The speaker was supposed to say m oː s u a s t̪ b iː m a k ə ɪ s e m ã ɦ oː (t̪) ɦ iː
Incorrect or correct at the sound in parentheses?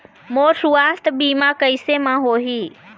incorrect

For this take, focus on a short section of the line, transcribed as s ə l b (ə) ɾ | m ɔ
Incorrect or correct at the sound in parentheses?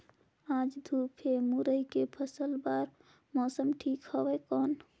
incorrect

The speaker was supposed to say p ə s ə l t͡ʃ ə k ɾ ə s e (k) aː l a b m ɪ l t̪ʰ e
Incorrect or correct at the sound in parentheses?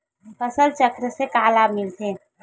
correct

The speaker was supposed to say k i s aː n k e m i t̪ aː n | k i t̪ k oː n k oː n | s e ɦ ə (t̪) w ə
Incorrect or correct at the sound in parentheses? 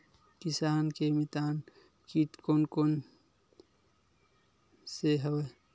incorrect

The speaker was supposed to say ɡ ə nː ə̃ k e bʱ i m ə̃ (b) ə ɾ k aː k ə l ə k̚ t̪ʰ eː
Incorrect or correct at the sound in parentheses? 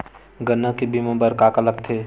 correct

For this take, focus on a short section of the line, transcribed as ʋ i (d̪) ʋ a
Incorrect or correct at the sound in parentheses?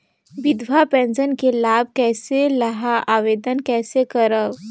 correct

